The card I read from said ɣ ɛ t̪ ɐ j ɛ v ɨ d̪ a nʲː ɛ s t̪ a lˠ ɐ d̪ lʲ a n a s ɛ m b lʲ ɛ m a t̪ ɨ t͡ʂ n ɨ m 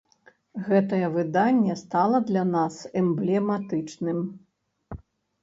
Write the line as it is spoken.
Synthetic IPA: ɣ ɛ t̪ ɐ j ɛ v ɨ d̪ a nʲː ɛ s t̪ a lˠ ɐ d̪ lʲ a n a s ɛ m b lʲ ɛ m a t̪ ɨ t͡ʂ n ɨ m